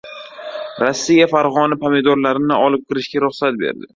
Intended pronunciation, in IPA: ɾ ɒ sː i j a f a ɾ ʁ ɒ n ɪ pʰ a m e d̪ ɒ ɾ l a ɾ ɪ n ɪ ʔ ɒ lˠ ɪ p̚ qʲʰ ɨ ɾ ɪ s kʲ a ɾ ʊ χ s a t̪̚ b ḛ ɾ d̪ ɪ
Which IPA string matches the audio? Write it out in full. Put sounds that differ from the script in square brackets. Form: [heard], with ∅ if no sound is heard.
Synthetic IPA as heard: ɾ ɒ sː i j a f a ɾ ʁ ɒ n ɪ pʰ a m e d̪ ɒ ɾ l a ɾ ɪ n ɪ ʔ ɒ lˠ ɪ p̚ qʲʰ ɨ ɾ ɪ [ʃ] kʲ a ɾ ʊ χ s a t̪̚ b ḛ ɾ d̪ ɪ